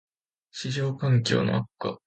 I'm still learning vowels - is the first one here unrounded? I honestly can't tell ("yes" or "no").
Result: yes